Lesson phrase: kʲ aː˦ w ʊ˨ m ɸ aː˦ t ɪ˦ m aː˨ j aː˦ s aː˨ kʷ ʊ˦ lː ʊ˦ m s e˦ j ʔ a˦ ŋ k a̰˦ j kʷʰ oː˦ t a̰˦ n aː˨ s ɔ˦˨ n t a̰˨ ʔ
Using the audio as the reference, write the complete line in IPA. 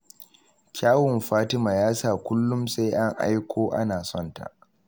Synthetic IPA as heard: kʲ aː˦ w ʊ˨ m ɸ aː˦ t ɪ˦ m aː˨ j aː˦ s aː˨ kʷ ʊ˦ lː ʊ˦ m s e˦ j ʔ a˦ ŋ ʔ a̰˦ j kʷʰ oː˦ ʔ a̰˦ n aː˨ s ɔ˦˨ n t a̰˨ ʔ